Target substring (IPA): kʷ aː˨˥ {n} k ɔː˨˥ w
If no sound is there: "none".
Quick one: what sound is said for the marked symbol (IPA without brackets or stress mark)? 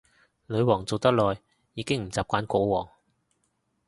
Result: n